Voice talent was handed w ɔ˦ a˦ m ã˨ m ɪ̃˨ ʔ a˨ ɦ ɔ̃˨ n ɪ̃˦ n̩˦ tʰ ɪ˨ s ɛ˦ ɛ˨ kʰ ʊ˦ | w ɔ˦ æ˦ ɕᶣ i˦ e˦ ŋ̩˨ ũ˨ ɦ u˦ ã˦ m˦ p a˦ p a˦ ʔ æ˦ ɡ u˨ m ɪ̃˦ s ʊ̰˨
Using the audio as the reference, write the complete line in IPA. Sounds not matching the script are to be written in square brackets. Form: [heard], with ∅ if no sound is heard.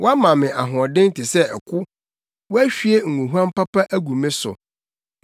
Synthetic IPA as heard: w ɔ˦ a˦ m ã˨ m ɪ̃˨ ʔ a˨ ɦ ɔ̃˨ [d] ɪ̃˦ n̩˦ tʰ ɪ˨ s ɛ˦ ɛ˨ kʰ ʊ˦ | w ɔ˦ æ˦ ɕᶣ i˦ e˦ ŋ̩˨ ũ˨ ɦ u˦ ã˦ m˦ p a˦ p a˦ ʔ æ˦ ɡ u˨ m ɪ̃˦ s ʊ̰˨

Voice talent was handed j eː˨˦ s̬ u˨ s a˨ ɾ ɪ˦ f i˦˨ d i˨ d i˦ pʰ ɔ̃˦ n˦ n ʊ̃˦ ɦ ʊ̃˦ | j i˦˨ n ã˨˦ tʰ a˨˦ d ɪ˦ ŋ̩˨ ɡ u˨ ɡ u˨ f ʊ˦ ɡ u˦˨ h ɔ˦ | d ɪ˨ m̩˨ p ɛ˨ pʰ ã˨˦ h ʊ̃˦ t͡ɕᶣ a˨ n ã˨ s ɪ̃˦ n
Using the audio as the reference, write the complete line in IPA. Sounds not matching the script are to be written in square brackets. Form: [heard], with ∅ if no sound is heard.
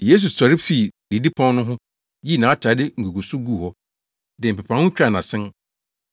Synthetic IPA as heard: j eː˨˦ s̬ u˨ s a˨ ɾ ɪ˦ f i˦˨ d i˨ d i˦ pʰ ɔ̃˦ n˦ n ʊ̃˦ ɦ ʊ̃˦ | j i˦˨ n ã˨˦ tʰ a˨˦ d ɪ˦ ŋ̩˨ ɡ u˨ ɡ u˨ [s] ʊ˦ ɡ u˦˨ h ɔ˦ | d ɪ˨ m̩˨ p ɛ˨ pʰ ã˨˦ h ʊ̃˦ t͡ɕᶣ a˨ n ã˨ s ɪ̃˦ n

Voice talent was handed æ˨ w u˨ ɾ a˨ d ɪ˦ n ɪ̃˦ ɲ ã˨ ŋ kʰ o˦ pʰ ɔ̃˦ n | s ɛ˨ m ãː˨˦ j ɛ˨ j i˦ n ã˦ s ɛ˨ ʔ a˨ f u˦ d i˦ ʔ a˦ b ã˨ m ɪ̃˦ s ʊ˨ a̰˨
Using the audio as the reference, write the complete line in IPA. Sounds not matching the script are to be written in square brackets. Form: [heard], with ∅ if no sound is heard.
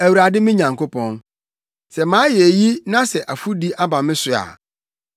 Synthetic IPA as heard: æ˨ w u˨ ɾ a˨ d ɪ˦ [m] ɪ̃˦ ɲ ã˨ ŋ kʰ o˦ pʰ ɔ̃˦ n | s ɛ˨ m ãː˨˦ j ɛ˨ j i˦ n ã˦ s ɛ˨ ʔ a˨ f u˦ d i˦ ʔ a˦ b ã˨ m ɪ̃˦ s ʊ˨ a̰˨

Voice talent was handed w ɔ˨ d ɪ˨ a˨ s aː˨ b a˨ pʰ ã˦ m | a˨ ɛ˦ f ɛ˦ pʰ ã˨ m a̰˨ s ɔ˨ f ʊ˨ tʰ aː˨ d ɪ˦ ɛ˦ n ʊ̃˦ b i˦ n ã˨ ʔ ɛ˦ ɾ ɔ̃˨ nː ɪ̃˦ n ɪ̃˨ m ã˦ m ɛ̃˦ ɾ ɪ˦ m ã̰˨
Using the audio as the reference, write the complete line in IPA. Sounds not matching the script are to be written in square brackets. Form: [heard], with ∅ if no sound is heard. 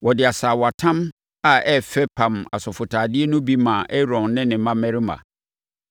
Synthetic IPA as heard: w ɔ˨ d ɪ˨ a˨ s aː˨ [w] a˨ [tʰ] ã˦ m | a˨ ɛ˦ f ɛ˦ pʰ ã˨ m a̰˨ s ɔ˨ f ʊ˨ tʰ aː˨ d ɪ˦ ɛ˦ n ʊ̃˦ b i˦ [m] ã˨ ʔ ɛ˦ ɾ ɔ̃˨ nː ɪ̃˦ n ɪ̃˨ m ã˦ m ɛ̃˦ ɾ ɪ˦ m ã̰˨

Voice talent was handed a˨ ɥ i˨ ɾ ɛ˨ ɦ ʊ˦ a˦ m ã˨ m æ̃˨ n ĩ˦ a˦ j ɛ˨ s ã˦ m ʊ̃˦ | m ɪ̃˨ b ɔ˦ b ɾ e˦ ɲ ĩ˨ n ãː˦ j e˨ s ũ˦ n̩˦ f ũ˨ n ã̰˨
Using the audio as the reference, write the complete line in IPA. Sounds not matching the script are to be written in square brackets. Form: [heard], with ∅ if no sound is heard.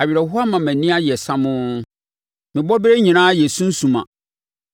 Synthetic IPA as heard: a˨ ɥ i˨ ɾ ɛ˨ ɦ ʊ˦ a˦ m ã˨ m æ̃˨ n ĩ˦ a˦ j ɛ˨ s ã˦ m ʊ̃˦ | m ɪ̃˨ b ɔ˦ b ɾ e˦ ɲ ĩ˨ n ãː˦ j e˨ s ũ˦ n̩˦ [s] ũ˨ [m] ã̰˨

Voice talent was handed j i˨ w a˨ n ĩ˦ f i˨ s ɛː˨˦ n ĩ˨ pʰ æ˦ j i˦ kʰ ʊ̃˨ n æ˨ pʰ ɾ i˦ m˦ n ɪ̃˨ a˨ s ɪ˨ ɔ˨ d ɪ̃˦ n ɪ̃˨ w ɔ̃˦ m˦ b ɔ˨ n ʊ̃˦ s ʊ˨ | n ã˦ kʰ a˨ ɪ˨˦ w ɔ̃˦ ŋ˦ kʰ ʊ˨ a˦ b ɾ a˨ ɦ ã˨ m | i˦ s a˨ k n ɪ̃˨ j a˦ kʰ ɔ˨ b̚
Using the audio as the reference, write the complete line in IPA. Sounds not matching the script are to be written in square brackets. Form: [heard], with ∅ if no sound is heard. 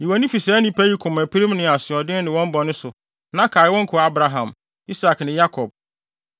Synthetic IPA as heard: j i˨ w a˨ n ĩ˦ f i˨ s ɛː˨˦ n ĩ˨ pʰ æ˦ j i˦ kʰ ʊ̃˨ [m] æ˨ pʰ ɾ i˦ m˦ n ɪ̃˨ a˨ s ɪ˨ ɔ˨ d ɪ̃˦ n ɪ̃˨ w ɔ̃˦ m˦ b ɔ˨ n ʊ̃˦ s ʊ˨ | n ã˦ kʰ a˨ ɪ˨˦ w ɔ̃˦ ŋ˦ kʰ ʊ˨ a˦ b ɾ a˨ ɦ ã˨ m | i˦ s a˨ k n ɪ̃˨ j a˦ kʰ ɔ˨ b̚

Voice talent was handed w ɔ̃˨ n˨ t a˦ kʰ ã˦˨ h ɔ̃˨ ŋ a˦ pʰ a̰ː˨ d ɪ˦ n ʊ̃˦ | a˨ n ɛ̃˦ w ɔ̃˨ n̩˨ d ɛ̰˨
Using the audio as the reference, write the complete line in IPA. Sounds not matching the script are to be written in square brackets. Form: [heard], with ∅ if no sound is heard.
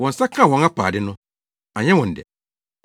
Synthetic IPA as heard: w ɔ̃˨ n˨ [s] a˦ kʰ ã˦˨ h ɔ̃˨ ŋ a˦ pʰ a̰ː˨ d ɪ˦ n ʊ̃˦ | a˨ [ɲ] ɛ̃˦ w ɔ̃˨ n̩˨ d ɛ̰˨

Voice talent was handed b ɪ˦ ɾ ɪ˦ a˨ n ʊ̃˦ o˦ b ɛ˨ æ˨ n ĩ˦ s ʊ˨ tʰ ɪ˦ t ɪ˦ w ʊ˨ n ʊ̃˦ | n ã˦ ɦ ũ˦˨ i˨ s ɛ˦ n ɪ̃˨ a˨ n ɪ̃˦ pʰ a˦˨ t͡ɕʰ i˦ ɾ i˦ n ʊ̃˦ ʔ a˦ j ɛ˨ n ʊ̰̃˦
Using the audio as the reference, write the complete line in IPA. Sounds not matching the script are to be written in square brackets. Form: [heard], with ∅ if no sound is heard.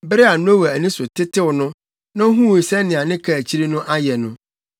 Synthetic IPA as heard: b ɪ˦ ɾ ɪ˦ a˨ n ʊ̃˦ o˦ [w] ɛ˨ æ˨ n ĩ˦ s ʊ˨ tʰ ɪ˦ t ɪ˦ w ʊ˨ n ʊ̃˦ | n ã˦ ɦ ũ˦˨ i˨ s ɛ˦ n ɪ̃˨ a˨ n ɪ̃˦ [kʰ] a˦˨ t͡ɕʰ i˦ ɾ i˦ n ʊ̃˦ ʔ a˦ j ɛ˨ n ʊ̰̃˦

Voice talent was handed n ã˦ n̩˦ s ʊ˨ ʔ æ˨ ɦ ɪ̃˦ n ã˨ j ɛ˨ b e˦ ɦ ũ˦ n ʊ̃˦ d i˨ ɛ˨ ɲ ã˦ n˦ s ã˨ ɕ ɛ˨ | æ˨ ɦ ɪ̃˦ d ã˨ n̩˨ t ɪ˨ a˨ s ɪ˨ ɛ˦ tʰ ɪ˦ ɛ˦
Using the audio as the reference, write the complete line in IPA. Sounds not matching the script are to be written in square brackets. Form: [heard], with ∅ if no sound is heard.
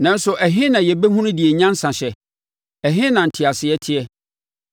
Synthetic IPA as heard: n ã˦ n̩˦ s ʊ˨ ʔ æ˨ ɦ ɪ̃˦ n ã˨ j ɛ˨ b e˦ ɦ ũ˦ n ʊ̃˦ d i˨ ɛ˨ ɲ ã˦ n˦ s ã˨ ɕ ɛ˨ | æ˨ ɦ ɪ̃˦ [n] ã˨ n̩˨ [tʰ] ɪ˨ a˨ s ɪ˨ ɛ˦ tʰ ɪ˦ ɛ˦

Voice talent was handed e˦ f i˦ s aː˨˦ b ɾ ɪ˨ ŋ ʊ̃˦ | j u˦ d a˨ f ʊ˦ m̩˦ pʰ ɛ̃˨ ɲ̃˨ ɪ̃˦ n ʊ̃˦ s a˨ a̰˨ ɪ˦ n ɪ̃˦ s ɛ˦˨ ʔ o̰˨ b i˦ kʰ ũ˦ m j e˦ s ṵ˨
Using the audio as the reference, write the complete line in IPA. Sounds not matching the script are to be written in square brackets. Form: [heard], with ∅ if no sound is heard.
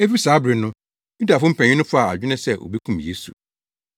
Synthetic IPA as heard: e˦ f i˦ s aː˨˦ b ɾ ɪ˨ [n] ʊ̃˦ | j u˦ d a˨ f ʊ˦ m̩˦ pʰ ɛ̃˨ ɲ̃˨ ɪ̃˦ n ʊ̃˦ [f] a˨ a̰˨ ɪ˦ n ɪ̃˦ s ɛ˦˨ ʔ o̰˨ b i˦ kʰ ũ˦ m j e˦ s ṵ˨

